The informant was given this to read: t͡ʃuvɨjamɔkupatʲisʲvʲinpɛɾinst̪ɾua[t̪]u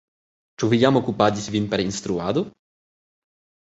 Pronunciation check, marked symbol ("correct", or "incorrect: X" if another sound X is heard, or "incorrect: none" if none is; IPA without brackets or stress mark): incorrect: d̪